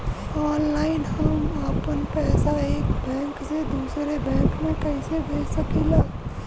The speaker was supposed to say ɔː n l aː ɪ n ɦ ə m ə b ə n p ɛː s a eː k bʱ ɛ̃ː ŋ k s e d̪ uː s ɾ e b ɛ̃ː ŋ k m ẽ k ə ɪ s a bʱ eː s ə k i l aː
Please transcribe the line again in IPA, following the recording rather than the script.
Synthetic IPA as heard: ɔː n l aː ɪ n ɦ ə m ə p ə n p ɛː s a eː k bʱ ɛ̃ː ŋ k s e d̪ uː s ɾ e b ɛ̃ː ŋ k m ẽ k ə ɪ s e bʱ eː s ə k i l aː